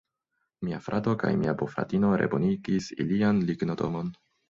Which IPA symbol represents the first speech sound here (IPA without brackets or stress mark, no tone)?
m